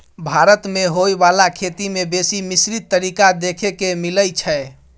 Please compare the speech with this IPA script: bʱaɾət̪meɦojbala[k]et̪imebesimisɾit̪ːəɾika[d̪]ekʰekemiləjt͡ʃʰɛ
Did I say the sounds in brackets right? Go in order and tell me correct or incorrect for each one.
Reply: incorrect, correct

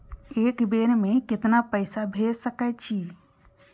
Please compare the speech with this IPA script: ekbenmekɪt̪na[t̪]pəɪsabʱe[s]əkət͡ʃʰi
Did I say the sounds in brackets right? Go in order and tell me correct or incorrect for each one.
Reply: incorrect, correct

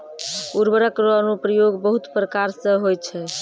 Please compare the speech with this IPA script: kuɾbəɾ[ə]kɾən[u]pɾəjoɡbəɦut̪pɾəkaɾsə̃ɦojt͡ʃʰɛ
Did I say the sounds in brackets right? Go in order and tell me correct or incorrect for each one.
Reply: correct, correct

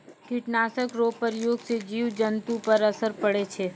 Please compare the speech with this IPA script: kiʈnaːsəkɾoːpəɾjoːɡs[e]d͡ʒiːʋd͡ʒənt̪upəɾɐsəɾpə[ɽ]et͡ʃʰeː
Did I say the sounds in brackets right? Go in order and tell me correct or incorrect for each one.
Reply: correct, correct

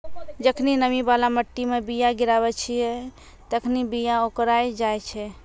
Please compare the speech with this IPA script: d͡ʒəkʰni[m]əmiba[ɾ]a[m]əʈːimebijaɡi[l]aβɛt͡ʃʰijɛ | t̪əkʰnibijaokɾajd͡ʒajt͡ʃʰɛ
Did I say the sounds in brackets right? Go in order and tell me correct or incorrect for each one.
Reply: incorrect, incorrect, correct, incorrect

